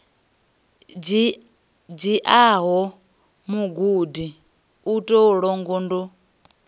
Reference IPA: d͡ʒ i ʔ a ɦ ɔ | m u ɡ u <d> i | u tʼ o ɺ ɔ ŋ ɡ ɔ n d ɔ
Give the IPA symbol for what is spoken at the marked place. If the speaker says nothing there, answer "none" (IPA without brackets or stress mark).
d